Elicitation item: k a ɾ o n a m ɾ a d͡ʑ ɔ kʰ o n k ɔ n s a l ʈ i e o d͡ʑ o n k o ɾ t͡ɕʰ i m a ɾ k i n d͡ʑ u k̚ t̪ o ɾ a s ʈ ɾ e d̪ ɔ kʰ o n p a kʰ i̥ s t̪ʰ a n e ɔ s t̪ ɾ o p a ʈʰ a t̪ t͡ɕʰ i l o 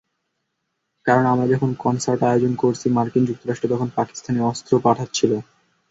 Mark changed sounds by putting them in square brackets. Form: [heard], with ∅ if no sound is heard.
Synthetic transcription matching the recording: k a ɾ o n a m ɾ a d͡ʑ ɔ kʰ o n k ɔ n s a [ɾ] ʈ [a] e o d͡ʑ o n k o ɾ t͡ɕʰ i m a ɾ k i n d͡ʑ u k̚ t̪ o ɾ a [ʃ] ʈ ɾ e [t̪] ɔ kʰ o n p a [k] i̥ s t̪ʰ a n e ɔ s t̪ ɾ o p a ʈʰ a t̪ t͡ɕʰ i l o